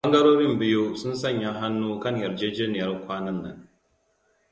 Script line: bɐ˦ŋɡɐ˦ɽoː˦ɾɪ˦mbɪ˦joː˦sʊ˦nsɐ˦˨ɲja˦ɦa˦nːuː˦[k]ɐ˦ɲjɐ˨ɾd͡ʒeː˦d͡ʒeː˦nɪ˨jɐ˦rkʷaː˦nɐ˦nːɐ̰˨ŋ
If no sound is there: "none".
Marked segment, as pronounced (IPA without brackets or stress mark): k